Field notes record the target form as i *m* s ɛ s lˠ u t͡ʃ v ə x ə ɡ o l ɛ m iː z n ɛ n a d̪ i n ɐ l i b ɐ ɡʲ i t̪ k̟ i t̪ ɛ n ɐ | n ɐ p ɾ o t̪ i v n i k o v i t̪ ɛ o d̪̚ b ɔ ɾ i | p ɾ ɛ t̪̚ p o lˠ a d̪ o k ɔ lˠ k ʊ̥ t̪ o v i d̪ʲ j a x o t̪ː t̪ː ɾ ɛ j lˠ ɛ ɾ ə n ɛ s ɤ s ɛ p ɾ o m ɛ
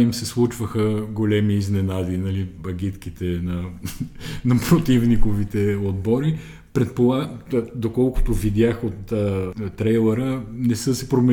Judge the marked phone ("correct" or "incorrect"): correct